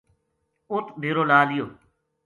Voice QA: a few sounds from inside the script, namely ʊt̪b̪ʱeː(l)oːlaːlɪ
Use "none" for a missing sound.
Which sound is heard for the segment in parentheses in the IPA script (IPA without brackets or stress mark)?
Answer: ɾ